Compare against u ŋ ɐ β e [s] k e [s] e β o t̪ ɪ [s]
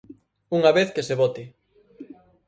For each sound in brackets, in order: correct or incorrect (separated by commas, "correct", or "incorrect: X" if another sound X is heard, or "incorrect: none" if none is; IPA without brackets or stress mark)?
incorrect: θ, correct, incorrect: none